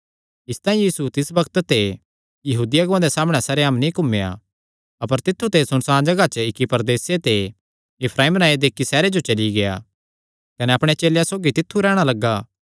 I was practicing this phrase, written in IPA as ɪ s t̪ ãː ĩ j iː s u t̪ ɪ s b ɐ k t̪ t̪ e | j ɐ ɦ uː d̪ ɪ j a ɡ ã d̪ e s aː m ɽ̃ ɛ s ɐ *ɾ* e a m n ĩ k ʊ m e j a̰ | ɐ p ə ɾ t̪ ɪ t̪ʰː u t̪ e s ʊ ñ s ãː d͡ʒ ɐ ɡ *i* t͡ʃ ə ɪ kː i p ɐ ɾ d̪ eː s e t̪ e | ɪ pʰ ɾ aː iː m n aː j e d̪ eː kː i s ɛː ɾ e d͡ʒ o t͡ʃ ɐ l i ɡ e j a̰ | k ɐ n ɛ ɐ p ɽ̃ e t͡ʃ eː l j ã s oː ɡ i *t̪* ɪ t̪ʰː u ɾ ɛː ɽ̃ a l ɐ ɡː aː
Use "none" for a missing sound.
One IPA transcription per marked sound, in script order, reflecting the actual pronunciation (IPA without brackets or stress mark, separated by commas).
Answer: ɾ, a, t̪